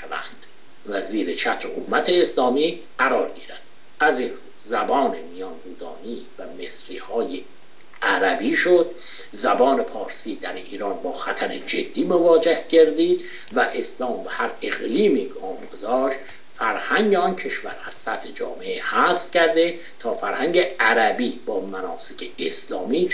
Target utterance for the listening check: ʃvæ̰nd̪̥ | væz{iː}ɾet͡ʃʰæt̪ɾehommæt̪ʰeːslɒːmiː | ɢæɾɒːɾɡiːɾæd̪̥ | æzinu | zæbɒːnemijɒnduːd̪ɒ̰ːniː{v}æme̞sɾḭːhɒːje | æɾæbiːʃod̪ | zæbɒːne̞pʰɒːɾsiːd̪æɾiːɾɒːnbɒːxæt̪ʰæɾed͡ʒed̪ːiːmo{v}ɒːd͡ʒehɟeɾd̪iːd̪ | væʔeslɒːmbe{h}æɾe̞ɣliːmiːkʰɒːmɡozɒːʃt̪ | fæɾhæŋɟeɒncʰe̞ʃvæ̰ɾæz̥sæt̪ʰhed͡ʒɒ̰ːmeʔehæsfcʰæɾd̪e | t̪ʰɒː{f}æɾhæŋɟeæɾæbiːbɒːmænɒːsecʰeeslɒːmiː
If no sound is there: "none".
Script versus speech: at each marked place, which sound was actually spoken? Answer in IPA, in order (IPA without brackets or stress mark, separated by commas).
iː, v, v, h, f